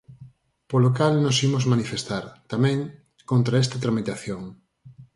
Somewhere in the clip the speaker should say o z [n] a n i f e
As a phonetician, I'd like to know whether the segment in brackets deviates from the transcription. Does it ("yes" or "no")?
yes